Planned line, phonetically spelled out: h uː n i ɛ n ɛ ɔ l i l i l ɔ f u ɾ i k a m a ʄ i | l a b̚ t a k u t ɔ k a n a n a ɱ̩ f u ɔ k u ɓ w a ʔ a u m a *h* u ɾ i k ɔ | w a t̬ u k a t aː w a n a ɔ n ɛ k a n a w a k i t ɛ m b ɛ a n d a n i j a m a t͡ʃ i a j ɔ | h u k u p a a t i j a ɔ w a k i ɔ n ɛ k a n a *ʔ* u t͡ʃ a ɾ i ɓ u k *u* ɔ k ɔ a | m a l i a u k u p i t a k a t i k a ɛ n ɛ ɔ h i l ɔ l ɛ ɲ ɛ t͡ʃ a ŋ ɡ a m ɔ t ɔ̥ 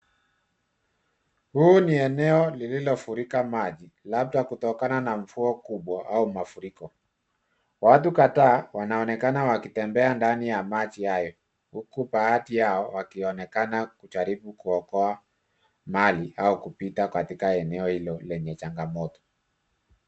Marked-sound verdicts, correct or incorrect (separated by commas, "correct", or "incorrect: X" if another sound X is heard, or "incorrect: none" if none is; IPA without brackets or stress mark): incorrect: f, incorrect: k, correct